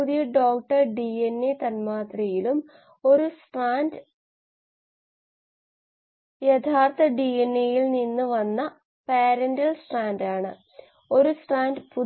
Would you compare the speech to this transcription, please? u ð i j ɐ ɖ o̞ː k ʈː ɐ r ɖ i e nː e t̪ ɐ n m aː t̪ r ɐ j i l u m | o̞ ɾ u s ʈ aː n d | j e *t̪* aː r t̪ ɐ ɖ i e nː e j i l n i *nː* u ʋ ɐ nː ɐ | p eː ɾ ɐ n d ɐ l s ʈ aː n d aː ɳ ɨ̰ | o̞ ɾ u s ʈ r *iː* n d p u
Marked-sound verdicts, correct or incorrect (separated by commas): incorrect, correct, incorrect